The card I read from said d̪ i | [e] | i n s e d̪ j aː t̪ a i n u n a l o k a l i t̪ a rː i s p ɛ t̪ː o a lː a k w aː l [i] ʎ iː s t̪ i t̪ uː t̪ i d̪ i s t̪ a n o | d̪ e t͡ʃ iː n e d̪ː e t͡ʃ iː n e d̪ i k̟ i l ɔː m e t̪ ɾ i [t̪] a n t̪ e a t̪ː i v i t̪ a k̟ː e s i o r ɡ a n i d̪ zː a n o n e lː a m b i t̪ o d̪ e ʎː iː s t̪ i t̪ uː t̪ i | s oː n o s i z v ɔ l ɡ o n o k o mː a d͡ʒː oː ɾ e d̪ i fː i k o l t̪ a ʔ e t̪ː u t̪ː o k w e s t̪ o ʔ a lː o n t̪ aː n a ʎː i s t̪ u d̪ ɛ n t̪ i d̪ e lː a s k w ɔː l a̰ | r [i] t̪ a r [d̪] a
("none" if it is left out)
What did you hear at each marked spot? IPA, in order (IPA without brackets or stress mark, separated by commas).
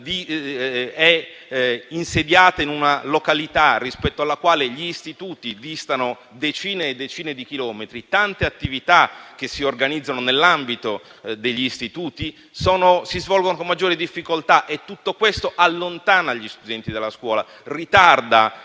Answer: ɛ, e, t̪, i, d̪